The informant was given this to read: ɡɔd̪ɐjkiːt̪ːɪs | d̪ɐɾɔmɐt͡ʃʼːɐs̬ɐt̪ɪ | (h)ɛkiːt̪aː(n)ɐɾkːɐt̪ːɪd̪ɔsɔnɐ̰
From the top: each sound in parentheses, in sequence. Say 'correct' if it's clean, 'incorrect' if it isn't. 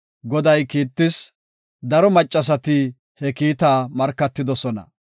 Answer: correct, incorrect: m

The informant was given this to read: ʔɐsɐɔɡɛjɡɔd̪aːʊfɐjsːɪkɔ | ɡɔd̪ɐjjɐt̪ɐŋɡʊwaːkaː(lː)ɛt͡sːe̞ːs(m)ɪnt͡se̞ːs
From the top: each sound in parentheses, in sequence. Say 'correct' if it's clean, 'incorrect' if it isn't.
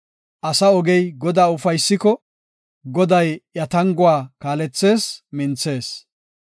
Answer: incorrect: l, correct

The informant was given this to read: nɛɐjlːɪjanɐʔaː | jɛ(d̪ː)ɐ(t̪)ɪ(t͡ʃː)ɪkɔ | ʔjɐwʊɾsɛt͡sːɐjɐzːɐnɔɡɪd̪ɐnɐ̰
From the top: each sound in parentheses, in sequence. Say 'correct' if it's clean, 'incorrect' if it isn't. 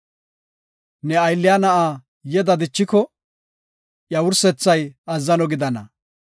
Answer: incorrect: d̪, incorrect: d̪, correct

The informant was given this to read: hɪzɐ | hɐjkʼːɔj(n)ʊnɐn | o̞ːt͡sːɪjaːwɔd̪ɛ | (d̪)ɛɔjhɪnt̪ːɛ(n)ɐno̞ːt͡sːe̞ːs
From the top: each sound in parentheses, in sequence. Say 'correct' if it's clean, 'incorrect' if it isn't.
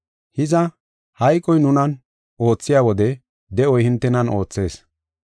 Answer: correct, correct, correct

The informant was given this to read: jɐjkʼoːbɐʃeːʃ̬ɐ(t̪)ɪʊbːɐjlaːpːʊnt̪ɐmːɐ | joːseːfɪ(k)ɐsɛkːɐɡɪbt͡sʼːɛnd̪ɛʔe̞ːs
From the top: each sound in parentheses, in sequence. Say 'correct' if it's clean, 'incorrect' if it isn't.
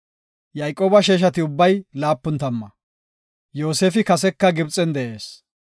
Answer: correct, correct

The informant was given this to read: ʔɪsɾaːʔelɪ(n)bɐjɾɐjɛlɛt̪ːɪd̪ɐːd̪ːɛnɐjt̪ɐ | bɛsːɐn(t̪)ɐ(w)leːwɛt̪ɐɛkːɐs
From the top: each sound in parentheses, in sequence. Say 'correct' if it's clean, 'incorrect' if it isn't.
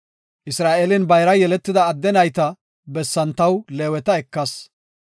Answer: correct, correct, correct

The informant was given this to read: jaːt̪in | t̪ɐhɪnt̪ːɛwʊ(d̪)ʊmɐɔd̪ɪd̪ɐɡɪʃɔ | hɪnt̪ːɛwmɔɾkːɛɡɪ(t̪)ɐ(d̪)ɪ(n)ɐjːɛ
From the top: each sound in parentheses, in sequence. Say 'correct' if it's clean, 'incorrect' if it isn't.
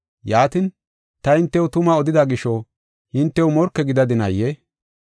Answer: incorrect: t̪, incorrect: d̪, correct, correct

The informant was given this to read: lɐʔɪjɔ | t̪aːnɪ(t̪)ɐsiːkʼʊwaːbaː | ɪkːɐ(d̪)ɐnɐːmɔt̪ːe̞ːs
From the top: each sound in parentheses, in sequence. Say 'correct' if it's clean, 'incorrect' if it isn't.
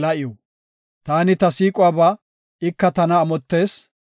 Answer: correct, incorrect: t̪

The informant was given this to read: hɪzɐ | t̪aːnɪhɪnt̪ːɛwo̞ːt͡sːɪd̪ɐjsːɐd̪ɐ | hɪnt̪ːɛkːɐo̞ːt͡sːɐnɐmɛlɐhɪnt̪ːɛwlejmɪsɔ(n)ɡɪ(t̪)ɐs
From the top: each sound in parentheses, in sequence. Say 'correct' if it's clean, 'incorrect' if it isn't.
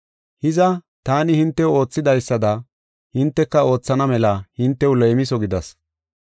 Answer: incorrect: none, incorrect: d̪

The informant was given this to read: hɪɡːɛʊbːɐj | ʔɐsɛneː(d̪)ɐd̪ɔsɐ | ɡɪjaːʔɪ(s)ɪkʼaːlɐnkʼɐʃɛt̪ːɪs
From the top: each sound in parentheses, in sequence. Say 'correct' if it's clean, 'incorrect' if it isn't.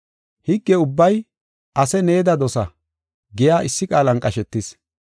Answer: correct, incorrect: sː

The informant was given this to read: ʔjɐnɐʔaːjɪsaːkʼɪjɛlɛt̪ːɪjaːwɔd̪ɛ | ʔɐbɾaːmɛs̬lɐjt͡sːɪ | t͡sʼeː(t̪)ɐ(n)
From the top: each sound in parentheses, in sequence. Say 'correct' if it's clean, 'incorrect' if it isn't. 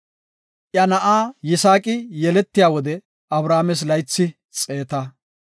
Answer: correct, incorrect: none

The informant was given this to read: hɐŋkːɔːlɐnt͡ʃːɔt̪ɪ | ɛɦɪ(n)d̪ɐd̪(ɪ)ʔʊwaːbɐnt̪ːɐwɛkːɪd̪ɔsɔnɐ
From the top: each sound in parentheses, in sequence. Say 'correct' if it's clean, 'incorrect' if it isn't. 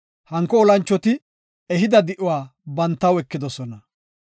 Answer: incorrect: none, correct

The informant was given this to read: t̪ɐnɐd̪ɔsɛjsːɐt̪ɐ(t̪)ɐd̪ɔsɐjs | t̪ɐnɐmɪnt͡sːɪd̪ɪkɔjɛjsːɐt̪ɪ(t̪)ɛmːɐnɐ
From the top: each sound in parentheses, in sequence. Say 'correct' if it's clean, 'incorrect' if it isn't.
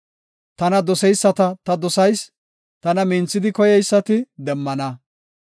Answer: correct, incorrect: d̪

